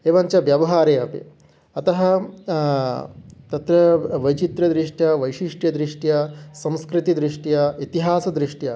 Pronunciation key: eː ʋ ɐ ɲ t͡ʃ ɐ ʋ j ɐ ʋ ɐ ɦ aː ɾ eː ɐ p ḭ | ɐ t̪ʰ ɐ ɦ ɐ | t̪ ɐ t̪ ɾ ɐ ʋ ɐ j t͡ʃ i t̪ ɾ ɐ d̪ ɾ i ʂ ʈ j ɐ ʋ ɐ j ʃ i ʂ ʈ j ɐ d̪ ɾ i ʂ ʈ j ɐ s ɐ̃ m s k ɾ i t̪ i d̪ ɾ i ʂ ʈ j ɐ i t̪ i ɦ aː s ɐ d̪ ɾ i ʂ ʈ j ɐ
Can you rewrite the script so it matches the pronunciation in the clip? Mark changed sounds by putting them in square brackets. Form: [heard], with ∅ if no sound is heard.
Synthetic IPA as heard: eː ʋ ɐ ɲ t͡ʃ ɐ ʋ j ɐ ʋ ɐ ɦ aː ɾ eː ɐ p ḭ | ɐ [t̪] ɐ ɦ ɐ | t̪ ɐ t̪ ɾ ɐ ʋ ɐ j t͡ʃ i t̪ ɾ ɐ d̪ ɾ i ʂ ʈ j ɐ ʋ ɐ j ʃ i ʂ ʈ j ɐ d̪ ɾ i ʂ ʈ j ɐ s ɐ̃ m s k ɾ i t̪ i d̪ ɾ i ʂ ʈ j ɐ i t̪ i ɦ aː s ɐ d̪ ɾ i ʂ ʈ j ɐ